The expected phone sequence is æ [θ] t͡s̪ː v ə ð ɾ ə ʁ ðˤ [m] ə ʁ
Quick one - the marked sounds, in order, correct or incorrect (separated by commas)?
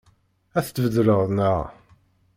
correct, incorrect